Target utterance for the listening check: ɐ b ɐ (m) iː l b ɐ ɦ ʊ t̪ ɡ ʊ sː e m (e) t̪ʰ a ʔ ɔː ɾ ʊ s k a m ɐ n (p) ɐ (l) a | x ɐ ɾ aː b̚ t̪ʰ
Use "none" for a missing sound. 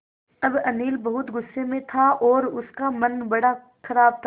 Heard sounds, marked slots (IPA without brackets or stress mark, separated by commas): n, ẽ, b, ɽ